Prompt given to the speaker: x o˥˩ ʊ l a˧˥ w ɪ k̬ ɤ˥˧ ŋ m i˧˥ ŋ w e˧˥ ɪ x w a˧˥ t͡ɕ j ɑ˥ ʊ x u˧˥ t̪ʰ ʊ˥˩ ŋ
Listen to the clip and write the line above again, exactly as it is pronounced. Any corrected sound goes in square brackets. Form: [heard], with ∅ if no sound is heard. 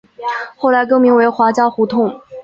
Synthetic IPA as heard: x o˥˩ ʊ l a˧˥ [∅] ɪ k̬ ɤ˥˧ ŋ m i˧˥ ŋ w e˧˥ ɪ x w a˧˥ t͡ɕ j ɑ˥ ʊ x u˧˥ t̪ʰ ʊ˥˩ ŋ